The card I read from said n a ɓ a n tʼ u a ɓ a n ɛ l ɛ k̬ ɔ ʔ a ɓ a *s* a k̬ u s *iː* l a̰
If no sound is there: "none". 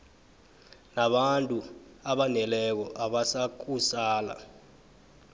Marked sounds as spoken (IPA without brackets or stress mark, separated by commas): s, aː